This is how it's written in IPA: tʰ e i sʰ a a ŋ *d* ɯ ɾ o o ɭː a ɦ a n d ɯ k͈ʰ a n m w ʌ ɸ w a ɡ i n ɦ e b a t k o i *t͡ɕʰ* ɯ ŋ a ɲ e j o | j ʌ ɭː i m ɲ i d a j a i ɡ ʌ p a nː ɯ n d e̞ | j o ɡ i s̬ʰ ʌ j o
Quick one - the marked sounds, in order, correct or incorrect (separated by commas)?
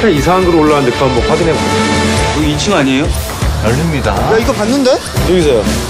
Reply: incorrect, correct